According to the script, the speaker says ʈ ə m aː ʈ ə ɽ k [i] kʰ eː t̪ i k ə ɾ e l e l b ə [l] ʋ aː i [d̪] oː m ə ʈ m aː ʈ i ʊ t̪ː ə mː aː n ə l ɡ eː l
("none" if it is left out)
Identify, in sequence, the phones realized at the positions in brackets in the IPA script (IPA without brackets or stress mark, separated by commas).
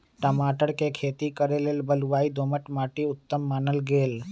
e, l, d̪